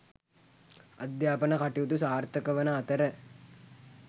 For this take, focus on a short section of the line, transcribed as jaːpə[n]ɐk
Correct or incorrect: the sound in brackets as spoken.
correct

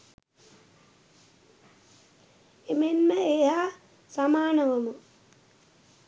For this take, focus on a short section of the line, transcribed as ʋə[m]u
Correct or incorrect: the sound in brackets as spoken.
correct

